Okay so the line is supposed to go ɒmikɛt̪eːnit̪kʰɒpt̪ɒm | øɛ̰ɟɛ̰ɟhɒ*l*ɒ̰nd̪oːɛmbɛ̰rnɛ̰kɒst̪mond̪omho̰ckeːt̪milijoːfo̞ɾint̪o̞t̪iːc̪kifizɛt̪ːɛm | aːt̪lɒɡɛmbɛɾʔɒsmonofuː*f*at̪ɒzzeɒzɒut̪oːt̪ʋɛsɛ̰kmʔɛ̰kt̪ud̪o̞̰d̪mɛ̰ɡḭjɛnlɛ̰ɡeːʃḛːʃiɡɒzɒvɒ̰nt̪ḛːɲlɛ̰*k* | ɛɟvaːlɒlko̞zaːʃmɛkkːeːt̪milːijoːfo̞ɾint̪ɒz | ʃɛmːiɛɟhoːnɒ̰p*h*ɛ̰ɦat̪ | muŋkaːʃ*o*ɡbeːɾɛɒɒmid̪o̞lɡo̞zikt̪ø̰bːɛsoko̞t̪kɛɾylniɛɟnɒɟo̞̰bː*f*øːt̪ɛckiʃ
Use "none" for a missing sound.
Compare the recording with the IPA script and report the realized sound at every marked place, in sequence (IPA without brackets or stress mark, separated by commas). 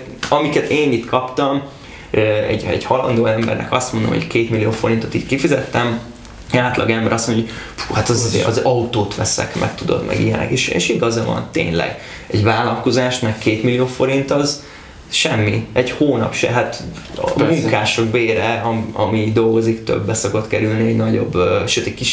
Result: l, h, ɡ, ʃ, o, ʃ